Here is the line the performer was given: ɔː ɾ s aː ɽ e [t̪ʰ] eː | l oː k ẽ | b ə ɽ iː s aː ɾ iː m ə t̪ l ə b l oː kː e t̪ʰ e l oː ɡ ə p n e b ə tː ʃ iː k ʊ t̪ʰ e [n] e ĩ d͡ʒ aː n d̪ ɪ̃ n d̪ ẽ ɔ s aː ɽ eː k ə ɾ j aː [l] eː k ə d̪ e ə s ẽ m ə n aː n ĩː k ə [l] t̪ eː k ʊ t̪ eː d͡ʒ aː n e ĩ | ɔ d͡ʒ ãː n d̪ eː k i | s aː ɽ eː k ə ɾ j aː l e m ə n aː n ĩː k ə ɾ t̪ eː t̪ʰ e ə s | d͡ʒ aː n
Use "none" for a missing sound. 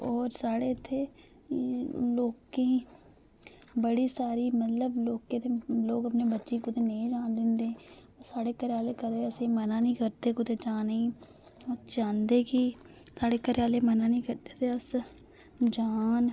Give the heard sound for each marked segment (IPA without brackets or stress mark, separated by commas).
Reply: t̪ʰ, n, l, ɾ